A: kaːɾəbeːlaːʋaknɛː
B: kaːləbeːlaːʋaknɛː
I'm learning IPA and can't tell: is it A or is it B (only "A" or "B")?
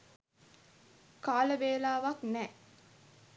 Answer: B